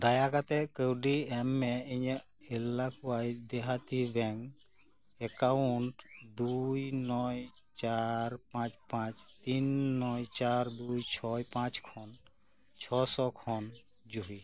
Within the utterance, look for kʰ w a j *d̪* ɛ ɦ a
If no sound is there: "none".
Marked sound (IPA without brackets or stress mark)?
d̪